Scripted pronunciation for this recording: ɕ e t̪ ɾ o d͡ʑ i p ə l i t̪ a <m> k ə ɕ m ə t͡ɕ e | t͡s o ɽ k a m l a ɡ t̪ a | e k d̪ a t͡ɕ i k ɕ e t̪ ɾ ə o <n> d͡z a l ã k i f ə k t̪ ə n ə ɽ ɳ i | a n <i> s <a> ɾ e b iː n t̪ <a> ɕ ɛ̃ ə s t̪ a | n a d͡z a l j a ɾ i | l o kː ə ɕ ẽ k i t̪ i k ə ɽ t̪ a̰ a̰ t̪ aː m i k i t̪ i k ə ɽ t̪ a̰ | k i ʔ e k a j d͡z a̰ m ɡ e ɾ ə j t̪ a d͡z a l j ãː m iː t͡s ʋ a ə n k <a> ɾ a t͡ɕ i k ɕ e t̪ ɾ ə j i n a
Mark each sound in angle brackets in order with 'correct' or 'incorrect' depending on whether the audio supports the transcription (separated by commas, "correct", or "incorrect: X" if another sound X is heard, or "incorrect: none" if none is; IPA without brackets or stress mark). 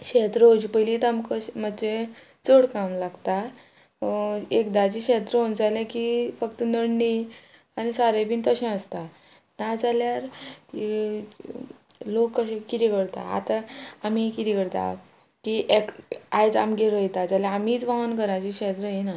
correct, correct, correct, correct, incorrect: ə, incorrect: ə